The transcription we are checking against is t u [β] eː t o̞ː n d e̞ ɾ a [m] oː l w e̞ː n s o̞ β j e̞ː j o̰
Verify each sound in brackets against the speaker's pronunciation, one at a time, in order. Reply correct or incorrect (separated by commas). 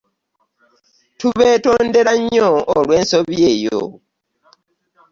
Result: correct, incorrect